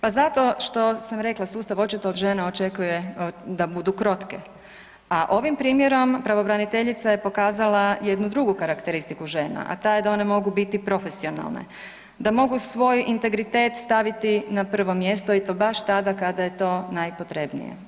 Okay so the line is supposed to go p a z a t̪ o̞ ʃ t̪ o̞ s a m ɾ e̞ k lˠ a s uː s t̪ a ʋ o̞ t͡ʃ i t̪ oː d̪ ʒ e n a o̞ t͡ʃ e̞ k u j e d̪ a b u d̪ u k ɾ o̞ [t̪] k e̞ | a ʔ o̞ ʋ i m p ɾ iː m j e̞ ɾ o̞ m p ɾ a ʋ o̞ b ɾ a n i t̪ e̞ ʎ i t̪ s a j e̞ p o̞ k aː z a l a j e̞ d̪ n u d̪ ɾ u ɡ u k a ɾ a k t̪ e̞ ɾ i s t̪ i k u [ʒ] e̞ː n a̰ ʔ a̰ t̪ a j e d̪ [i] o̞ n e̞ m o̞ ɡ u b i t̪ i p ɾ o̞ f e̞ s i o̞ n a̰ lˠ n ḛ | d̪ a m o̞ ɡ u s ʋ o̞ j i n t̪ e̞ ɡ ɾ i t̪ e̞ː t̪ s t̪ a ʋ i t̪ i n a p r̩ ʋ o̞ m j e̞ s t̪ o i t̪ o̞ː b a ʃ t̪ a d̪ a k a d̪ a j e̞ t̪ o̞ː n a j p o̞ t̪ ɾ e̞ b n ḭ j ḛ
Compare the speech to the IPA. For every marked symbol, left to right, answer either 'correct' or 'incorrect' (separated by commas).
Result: correct, correct, incorrect